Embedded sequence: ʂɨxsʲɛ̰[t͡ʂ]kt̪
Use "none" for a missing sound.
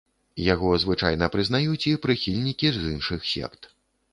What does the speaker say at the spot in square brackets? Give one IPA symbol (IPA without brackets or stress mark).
none